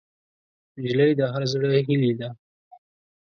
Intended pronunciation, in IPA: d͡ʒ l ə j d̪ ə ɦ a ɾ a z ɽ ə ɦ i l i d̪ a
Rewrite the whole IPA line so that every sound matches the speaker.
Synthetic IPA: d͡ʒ l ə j d̪ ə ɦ a ɾ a z ɽ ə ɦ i l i d̪ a